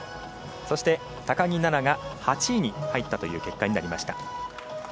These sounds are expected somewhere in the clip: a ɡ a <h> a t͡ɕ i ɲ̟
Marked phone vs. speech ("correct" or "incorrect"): correct